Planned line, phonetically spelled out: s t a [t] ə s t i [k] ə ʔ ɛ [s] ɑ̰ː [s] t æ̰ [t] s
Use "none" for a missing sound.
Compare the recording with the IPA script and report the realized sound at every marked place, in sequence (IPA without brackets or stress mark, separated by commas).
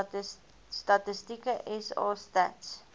t, k, s, s, t